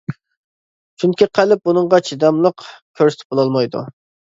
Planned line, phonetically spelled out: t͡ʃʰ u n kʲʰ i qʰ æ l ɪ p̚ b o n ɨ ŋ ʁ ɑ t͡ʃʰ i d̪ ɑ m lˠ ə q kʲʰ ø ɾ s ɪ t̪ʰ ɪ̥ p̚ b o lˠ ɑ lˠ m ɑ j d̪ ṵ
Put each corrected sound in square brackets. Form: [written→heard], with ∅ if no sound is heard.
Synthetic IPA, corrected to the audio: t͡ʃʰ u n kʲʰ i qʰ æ l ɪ p̚ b [o→u] n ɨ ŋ ʁ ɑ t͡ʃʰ i d̪ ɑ m lˠ ə q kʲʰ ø ɾ s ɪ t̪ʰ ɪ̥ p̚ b o lˠ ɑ lˠ m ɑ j d̪ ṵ